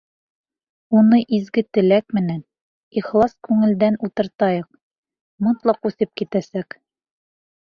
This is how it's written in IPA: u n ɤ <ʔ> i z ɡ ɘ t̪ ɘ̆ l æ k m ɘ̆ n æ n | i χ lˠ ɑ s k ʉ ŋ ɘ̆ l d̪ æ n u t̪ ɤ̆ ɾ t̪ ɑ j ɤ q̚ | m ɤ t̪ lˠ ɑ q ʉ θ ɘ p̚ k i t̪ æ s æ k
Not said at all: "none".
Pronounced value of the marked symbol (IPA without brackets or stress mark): ʔ